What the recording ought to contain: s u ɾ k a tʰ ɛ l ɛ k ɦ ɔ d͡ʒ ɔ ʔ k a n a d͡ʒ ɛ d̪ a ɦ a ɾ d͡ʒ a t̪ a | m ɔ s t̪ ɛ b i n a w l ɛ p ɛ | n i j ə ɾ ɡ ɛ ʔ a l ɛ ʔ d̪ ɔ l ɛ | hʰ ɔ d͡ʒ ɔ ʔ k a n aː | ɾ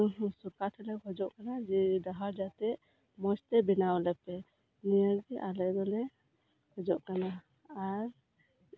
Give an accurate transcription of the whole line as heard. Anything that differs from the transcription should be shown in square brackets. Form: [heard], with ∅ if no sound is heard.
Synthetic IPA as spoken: s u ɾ k a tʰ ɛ l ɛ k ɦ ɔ d͡ʒ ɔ ʔ k a n a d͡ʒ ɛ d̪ a ɦ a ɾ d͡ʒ a t̪ [ɛ] | m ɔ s t̪ ɛ b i n a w l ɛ p ɛ | n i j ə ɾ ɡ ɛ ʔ a l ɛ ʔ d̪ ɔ l ɛ | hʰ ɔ d͡ʒ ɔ ʔ k a n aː | ɾ

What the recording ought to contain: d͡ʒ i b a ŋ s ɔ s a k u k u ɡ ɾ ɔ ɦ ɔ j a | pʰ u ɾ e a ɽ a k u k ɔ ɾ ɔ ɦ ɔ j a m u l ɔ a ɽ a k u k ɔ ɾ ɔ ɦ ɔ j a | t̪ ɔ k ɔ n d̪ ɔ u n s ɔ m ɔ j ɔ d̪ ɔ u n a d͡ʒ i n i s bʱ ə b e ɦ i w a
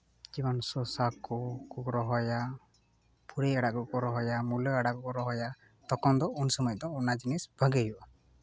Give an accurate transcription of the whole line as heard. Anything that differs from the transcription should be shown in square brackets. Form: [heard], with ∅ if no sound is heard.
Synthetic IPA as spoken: d͡ʒ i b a [n] s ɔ s a k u k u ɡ ɾ ɔ ɦ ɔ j a | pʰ u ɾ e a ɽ a k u k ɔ ɾ ɔ ɦ ɔ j a m u l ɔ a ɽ a k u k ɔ ɾ ɔ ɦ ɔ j a | t̪ ɔ k ɔ n d̪ ɔ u n s ɔ m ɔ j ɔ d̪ ɔ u n a d͡ʒ i n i s bʱ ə [ɡ] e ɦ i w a

